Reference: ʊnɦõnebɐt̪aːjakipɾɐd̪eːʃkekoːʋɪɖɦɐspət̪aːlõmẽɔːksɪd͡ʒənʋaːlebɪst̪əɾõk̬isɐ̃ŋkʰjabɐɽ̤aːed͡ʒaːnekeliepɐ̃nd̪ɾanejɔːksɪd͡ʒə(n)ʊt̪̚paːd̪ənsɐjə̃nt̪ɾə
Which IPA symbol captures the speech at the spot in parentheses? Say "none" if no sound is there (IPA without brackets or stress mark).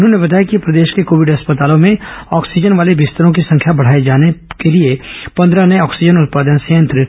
n